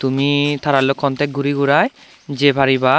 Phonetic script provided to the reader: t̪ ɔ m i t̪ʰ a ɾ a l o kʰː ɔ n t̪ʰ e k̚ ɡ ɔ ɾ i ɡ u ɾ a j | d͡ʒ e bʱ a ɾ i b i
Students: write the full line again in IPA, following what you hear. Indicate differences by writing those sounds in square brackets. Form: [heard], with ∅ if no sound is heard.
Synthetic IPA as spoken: t̪ [u] m i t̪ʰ a ɾ a l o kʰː ɔ n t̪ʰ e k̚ ɡ [u] ɾ i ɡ u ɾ a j | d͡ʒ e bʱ a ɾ i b [a]

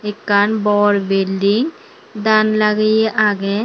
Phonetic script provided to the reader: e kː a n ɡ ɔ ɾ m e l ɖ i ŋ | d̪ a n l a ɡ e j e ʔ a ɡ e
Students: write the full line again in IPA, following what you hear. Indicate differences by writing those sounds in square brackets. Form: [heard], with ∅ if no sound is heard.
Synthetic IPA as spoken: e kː a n [b] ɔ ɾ [b] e l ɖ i ŋ | d̪ a n l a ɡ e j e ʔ a ɡ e

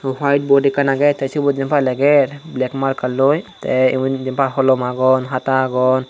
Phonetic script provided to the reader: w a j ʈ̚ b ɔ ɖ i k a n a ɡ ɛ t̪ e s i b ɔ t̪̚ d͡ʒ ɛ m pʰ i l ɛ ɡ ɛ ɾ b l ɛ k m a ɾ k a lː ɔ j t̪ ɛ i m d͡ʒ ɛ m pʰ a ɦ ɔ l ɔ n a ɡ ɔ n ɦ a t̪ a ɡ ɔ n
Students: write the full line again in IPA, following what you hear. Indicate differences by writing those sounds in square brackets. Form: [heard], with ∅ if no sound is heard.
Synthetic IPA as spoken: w a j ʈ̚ b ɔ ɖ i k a n a ɡ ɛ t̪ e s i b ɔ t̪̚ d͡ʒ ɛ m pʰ [a] l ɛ ɡ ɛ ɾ b l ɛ k m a ɾ k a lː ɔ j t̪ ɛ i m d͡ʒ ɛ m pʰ a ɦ ɔ l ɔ [m] a ɡ ɔ n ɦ a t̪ a ɡ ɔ n

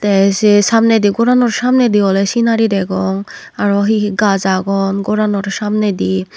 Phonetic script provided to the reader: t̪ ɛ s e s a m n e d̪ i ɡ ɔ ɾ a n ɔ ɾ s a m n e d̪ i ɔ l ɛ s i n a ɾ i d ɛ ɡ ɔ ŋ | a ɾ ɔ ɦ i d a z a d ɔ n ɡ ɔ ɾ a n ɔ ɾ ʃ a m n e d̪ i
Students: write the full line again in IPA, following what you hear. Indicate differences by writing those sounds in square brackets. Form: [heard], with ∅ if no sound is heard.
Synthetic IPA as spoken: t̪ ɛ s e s a m n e d̪ i ɡ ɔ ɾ a n ɔ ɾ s a m n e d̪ i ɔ l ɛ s i n a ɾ i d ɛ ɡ ɔ ŋ | a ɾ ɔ ɦ i [ɡ] a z a [ɡ] ɔ n ɡ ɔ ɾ a n ɔ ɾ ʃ a m n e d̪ i

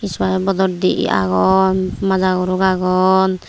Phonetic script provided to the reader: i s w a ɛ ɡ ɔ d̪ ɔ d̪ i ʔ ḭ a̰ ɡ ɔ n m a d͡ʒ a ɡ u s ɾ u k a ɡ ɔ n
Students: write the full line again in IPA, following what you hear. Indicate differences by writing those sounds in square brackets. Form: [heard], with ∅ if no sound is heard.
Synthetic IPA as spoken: i s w a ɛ [b] ɔ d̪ ɔ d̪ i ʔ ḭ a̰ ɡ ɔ n m a d͡ʒ a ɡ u [∅] ɾ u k a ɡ ɔ n

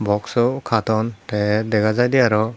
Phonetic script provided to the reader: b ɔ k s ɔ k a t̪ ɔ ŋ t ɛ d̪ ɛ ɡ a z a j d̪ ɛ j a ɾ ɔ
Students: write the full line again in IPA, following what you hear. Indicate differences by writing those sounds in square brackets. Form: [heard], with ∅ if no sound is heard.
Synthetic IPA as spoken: b ɔ k s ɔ [kʰ] a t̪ ɔ [n] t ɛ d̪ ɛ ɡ a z a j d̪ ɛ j a ɾ ɔ

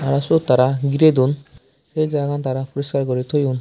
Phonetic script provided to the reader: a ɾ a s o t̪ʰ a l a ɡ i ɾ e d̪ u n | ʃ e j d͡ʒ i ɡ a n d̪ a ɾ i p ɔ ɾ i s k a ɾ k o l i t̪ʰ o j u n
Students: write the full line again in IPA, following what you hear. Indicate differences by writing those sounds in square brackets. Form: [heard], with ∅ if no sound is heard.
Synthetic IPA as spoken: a ɾ a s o [t̪] a [ɾ] a ɡ i ɾ e d̪ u n | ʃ e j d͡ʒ [a] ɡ a n [t̪] a ɾ [a] p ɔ ɾ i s k a ɾ k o [ɾ] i t̪ʰ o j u n

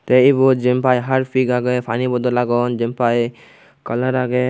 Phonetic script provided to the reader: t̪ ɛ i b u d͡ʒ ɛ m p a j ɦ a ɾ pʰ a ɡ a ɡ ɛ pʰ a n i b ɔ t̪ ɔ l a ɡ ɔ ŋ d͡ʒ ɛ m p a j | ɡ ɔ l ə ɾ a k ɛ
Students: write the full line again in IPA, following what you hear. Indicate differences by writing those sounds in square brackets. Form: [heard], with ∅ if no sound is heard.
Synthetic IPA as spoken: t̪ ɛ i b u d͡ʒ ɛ m p a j ɦ a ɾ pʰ [i] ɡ a ɡ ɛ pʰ a n i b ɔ [d̪] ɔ l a ɡ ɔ [n] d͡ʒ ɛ m p a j | [k] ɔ l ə ɾ a [ɡ] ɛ

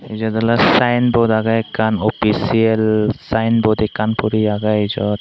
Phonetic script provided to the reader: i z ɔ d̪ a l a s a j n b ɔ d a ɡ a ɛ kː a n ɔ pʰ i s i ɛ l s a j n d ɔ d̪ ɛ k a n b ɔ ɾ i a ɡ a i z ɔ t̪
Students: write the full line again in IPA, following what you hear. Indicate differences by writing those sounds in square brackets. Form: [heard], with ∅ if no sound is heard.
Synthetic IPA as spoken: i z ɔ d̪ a l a s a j n b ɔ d a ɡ a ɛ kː a n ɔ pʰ i s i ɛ l s a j n [b] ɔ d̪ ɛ k a n [p] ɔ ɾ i a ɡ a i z ɔ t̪

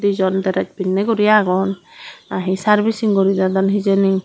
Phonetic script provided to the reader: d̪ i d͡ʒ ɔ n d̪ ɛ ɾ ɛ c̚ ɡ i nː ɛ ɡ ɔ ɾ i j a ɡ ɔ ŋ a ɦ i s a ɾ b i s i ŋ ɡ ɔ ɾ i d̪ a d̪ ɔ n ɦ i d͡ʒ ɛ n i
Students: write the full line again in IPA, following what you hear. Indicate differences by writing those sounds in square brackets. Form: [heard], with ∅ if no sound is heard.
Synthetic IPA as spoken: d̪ i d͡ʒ ɔ n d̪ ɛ ɾ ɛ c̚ [b] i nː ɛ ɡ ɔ ɾ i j a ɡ ɔ [n] a ɦ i s a ɾ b i s i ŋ ɡ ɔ ɾ i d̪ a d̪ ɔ n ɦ i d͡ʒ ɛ n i

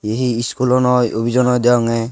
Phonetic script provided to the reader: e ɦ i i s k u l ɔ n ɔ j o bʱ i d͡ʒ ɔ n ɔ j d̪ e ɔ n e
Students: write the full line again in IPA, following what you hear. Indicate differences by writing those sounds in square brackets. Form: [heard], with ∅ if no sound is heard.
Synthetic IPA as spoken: e ɦ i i s k u l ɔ n ɔ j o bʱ i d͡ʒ ɔ n ɔ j d̪ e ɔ [ŋ] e

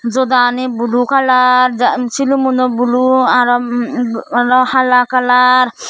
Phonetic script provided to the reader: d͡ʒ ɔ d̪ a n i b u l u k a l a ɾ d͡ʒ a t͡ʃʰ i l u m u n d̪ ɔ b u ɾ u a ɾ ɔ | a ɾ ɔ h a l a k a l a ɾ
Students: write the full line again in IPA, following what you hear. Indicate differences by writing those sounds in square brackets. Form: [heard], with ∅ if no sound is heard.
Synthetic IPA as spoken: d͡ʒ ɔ d̪ a n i b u l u k a l a ɾ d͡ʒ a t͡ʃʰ i l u m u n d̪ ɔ b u [l] u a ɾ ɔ | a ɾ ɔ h a l a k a l a ɾ

